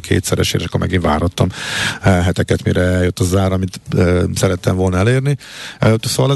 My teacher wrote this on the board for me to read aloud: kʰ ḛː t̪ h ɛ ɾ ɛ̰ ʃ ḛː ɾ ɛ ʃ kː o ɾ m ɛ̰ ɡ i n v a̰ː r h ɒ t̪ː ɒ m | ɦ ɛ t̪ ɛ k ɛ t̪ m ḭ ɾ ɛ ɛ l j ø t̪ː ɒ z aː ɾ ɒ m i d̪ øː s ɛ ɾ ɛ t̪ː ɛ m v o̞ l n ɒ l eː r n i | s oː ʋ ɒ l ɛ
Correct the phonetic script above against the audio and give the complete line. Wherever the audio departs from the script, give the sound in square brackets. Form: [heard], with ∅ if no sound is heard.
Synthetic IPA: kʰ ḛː t̪ [s] ɛ ɾ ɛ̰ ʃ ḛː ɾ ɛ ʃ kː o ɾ m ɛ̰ ɡ i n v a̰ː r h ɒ t̪ː ɒ m | ɦ ɛ t̪ ɛ k ɛ t̪ m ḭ ɾ ɛ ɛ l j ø t̪ː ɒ z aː ɾ ɒ m i [t̪] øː s ɛ ɾ ɛ t̪ː ɛ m v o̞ l n ɒ l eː r n i | s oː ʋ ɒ l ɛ